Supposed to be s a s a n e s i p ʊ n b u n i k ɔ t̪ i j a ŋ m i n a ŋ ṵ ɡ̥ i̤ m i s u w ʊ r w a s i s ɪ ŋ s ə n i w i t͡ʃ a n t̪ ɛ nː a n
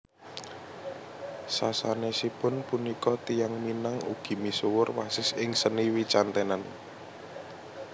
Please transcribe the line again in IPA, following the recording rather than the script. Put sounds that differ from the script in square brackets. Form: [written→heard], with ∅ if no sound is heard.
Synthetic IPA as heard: s a s a n e s i p ʊ n [b→p] u n i k ɔ t̪ i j a ŋ m i n a ŋ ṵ ɡ̥ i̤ m i s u w ʊ r w a s [i→ɪ] s ɪ ŋ s ə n i w i t͡ʃ a n t̪ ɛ [nː→n] a n